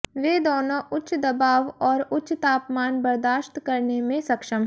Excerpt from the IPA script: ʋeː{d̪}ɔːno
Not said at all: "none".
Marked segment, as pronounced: d̪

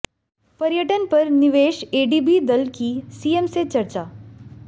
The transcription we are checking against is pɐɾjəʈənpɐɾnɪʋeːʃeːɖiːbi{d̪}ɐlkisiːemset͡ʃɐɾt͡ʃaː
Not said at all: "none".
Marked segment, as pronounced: d̪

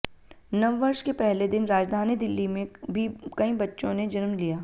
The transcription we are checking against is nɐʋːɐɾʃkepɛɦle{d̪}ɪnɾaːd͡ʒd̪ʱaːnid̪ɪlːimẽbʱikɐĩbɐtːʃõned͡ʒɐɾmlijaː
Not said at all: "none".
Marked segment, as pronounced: d̪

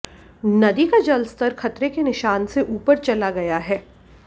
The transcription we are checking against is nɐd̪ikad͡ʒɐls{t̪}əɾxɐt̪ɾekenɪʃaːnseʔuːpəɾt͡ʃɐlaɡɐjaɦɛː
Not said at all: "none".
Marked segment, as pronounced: t̪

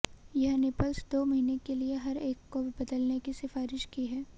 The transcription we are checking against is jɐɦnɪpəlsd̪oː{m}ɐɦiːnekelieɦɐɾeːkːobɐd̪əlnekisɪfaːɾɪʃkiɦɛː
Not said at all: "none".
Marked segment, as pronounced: m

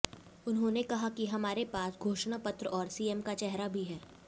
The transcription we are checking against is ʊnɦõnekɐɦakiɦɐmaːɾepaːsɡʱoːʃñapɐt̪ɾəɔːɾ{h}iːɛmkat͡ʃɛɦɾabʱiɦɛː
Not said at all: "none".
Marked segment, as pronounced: s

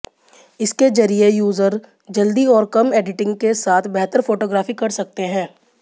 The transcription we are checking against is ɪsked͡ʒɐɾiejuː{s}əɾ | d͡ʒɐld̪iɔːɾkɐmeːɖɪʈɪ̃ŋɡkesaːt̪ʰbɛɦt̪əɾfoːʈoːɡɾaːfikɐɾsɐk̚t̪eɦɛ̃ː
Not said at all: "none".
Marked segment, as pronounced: z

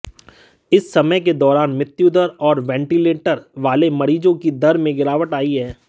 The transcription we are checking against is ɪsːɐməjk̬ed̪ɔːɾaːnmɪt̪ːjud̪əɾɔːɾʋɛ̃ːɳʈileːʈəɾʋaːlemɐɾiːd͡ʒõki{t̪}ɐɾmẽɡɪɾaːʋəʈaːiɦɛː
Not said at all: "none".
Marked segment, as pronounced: d̪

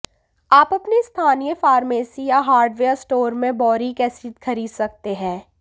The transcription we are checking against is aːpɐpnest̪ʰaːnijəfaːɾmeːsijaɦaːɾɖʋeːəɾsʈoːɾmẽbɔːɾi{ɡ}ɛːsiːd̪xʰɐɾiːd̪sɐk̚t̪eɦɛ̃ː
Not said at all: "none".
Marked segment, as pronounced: k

